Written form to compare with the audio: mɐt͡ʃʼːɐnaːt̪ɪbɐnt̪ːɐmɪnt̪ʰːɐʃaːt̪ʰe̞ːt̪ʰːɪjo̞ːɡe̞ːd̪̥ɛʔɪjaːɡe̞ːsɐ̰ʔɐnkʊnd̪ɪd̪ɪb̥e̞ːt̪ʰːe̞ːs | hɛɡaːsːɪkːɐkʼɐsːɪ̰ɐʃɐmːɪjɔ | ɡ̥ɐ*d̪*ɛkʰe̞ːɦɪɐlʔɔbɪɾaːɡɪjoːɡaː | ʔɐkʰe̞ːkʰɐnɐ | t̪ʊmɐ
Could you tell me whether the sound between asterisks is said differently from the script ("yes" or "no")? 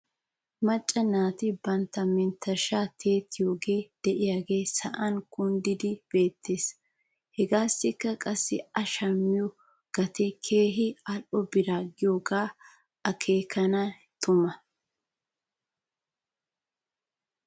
yes